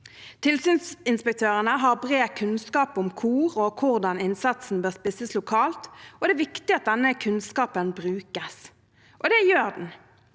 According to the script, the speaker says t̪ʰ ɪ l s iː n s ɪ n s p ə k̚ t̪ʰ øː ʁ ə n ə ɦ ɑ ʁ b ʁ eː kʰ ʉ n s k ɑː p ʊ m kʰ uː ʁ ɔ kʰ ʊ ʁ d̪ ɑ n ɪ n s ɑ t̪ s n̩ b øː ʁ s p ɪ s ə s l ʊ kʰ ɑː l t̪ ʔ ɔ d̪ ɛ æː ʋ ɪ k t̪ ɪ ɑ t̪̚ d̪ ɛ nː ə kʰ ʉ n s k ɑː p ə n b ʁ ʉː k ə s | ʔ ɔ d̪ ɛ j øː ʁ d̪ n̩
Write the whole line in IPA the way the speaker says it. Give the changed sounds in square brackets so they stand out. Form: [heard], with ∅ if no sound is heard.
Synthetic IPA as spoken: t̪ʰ ɪ l s [yː] n s ɪ n s p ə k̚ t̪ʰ øː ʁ ə n ə ɦ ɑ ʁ b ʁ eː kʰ ʉ n s k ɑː p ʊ m kʰ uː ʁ ɔ kʰ ʊ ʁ d̪ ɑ n ɪ n s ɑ t̪ s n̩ b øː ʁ s p ɪ s ə s l ʊ kʰ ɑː l t̪ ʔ ɔ d̪ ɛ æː ʋ ɪ k t̪ ɪ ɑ t̪̚ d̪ ɛ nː ə kʰ ʉ n s k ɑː p ə n b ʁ ʉː k ə s | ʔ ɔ d̪ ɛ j øː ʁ d̪ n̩

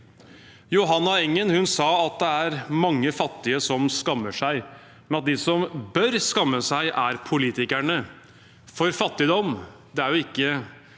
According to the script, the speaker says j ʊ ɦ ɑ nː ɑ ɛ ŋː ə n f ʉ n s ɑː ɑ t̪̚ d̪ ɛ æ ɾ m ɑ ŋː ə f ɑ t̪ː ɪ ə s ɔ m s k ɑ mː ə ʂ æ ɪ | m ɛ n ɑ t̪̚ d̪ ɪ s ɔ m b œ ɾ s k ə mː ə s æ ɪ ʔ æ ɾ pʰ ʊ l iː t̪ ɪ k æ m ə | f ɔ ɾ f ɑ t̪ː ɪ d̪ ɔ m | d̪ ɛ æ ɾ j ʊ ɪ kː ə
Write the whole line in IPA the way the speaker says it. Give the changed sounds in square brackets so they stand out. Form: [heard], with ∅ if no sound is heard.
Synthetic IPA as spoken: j ʊ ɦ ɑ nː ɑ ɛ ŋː ə n [h] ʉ n s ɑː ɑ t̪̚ d̪ ɛ æ ɾ m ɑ ŋː ə f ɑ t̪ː ɪ ə s ɔ m s k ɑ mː ə ʂ æ ɪ | m ɛ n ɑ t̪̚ d̪ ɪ s ɔ m b œ ɾ s k [ɑ] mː ə s æ ɪ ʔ æ ɾ pʰ ʊ l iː t̪ ɪ k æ [ɳ] ə | f ɔ ɾ f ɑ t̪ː ɪ d̪ ɔ m | d̪ ɛ æ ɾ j ʊ ɪ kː ə

